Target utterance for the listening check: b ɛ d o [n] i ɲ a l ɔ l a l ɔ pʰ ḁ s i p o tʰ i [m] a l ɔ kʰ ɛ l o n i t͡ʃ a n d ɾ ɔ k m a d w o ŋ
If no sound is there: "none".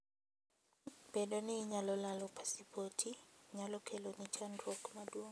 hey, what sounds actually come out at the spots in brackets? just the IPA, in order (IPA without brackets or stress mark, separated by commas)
n, ɲ